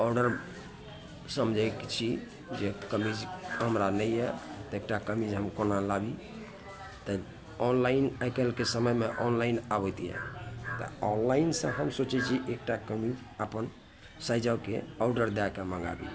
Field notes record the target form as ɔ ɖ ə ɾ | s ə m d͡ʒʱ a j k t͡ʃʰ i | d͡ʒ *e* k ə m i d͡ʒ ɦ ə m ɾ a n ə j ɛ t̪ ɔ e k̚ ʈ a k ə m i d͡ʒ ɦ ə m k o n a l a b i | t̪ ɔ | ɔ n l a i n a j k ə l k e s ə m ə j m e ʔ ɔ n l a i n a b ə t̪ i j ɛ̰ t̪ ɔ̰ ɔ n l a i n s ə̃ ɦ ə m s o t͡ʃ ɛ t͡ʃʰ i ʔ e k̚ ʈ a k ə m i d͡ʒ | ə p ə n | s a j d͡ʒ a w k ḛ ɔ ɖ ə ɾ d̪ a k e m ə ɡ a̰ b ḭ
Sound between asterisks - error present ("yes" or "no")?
no